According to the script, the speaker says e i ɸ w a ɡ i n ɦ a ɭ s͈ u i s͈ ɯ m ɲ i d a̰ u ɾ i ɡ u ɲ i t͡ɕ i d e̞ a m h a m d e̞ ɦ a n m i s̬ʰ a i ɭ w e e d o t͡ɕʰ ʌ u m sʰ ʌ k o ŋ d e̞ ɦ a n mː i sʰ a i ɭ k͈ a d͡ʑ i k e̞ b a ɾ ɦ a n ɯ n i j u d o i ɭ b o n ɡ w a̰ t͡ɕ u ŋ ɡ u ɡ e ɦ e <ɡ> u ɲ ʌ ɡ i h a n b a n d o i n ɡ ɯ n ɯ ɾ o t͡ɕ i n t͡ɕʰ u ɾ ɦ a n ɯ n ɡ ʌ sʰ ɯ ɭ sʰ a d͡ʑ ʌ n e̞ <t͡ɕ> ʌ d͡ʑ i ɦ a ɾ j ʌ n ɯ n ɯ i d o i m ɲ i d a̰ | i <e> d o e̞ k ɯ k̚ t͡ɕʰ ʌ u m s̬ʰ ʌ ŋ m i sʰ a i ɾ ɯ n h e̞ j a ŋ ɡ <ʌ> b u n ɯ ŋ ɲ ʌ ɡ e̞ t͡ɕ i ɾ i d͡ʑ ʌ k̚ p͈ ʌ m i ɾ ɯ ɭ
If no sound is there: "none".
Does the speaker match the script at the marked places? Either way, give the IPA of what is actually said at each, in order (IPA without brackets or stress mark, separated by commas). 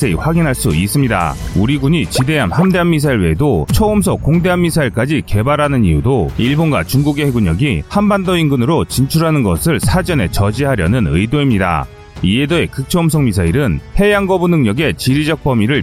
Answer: ɡ, t͡ɕ, e, ʌ